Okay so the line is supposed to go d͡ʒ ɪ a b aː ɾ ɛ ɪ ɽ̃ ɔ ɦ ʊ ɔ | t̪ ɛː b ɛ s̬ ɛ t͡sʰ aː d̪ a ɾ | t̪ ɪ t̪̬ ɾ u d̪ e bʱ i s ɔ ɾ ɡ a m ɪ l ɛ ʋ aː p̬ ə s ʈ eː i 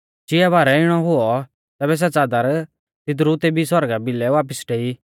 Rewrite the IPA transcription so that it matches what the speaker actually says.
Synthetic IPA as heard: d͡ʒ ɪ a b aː ɾ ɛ ɪ ɽ̃ ɔ ɦ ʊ ɔ | t̪ ɛː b ɛ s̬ ɛ t͡s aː d̪ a ɾ | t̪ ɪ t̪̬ ɾ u t̪ e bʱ i s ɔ ɾ ɡ a b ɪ l ɛ ʋ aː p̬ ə s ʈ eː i